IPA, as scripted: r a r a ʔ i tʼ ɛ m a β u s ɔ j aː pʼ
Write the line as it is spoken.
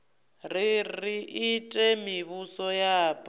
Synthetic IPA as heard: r i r i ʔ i tʼ ɛ m i β u s ɔ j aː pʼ